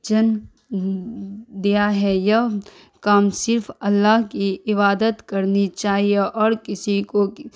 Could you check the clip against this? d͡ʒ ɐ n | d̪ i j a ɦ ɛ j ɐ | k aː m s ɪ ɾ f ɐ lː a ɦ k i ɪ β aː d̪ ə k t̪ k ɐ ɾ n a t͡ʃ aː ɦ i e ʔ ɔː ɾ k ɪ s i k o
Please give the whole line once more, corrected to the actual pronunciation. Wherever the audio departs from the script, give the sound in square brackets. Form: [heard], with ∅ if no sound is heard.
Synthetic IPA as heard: d͡ʒ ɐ n | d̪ i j a ɦ ɛ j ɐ | k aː m s ɪ ɾ f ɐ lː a ɦ k i ɪ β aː d̪ ə [∅] t̪ k ɐ ɾ n [i] t͡ʃ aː ɦ i e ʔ ɔː ɾ k ɪ s i k o